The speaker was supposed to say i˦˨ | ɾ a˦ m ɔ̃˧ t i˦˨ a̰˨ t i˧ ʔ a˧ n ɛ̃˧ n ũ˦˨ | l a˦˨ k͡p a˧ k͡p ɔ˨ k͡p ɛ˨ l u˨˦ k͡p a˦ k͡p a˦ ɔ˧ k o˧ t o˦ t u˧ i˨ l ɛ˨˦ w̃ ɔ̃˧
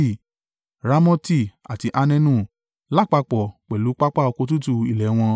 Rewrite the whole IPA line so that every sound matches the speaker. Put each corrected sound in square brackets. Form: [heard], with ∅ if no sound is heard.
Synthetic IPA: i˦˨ | ɾ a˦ m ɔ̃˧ t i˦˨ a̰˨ t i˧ ʔ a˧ n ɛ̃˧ n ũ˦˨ | l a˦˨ k͡p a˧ k͡p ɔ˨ k͡p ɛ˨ l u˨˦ k͡p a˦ k͡p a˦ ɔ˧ k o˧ t [u˦] t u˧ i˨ l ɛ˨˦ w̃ ɔ̃˧